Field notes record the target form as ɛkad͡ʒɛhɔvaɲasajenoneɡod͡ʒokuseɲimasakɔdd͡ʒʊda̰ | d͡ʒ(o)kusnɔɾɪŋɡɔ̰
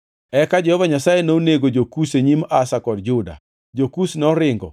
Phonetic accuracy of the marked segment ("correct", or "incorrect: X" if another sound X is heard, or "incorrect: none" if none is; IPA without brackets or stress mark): correct